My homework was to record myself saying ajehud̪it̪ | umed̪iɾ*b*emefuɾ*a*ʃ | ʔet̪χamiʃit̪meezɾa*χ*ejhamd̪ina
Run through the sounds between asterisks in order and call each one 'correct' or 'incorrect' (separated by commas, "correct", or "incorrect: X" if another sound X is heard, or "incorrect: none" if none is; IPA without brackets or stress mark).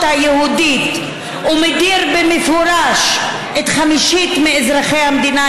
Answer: correct, correct, correct